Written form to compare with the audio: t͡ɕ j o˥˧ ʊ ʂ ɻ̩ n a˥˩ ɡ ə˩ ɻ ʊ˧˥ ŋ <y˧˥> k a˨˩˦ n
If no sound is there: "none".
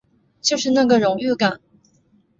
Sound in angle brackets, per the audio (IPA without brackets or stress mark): y˥˩